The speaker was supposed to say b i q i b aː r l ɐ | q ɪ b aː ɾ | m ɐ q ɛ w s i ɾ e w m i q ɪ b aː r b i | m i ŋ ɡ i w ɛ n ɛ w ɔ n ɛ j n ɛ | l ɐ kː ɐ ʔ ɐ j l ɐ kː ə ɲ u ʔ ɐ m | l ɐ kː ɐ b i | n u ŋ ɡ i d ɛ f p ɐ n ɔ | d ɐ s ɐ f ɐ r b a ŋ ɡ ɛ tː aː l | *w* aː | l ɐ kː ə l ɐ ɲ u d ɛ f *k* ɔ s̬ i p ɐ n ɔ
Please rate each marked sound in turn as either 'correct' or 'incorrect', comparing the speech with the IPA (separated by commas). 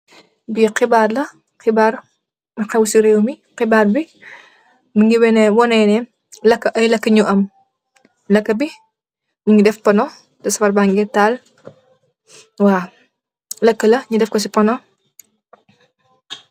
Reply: correct, correct